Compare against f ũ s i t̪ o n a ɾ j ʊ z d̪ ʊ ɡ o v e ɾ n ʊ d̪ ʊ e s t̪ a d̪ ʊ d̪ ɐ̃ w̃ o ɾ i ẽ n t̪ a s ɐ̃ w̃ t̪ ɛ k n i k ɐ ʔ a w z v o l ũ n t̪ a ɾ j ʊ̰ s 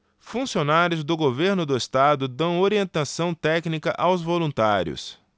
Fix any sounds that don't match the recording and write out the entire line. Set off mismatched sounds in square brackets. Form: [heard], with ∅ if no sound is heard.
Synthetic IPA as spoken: f ũ s i [∅] o n a ɾ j ʊ z d̪ ʊ ɡ o v e ɾ n ʊ d̪ ʊ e s t̪ a d̪ ʊ d̪ ɐ̃ w̃ o ɾ i ẽ n t̪ a s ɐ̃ w̃ t̪ ɛ k n i k ɐ ʔ a w z v o l ũ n t̪ a ɾ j ʊ̰ s